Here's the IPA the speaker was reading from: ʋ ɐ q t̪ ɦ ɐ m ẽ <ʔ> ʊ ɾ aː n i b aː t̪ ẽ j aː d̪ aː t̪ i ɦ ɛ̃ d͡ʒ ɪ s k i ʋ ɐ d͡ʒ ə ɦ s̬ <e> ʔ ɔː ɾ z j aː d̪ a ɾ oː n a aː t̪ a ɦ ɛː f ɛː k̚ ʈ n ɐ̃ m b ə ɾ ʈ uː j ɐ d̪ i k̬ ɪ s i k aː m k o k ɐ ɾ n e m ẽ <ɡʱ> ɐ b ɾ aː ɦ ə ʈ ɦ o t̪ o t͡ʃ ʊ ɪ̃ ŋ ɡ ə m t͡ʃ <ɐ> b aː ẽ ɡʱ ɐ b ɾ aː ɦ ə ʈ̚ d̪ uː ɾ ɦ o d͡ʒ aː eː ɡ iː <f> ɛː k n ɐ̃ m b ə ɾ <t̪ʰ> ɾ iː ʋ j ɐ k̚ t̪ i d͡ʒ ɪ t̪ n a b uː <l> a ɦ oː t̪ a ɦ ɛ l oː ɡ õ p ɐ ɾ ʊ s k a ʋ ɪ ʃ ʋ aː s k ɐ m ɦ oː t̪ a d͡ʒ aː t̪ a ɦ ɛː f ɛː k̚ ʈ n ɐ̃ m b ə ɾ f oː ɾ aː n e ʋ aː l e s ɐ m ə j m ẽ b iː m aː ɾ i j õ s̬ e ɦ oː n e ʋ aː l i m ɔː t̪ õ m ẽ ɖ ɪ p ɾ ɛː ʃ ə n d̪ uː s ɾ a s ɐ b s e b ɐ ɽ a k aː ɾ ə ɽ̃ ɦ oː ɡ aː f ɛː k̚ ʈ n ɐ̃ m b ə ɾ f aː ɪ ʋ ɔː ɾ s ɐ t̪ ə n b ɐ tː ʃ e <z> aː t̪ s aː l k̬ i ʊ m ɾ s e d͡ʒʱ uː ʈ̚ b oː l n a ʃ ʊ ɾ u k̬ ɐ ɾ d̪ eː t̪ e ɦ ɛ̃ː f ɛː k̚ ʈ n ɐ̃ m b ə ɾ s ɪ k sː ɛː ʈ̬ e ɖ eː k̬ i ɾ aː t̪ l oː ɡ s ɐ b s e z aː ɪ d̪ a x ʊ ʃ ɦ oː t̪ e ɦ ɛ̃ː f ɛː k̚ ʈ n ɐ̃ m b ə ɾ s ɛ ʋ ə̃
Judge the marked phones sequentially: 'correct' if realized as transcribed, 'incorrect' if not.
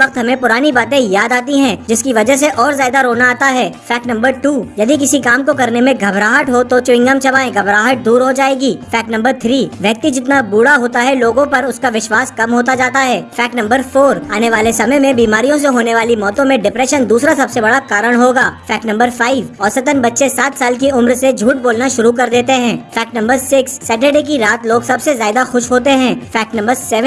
incorrect, correct, correct, correct, correct, correct, incorrect, incorrect

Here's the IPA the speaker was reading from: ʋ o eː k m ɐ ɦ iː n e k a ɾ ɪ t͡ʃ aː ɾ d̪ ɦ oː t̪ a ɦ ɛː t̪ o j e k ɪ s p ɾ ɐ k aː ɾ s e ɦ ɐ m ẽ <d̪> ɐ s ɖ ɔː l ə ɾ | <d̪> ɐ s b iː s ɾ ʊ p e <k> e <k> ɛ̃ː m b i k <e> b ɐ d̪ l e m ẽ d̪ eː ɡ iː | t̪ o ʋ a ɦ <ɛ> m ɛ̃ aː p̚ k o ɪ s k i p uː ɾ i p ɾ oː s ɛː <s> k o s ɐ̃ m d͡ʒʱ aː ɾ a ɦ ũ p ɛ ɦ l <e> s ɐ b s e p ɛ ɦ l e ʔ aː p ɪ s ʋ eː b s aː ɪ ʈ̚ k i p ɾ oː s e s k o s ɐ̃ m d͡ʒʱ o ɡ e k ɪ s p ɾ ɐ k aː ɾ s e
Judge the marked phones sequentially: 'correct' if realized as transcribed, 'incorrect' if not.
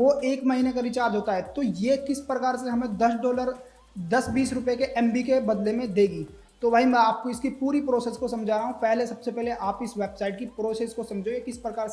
correct, correct, correct, incorrect, correct, incorrect, correct, correct

